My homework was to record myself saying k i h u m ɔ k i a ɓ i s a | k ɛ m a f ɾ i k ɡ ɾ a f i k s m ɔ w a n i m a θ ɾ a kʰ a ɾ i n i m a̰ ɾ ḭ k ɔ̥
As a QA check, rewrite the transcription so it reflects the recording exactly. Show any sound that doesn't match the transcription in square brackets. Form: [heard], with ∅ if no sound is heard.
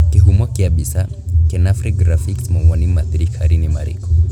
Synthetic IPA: k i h u m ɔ k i a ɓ i s a | k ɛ [n] a f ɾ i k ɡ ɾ a f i k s m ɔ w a n i m a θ ɾ [i] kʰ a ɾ i n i m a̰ ɾ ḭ k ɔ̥